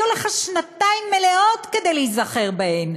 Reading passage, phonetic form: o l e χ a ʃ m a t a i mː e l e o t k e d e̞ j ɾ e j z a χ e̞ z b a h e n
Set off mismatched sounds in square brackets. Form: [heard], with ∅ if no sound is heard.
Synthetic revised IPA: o l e χ a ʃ [n] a t a i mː e l e o t k e d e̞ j [l] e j z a χ e̞ [ʁ] b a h e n